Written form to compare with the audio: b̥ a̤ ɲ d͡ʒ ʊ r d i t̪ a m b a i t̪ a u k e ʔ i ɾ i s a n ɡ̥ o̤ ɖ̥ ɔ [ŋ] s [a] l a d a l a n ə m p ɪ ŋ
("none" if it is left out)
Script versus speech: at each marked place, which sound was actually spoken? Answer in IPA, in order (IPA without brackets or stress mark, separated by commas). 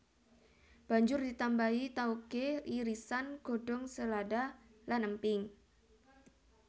ŋ, ə